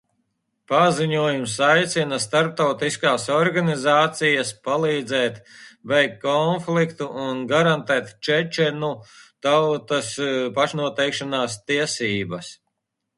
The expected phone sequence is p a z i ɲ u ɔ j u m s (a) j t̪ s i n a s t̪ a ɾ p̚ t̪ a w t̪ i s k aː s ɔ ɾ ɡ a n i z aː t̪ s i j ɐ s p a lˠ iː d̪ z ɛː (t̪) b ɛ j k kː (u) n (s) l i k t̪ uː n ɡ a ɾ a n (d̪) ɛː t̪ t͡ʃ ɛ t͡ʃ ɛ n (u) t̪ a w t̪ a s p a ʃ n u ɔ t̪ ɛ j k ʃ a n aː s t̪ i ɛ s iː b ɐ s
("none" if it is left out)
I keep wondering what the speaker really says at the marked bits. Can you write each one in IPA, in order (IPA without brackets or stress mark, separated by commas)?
a, t̪, ɔ, f, t̪, u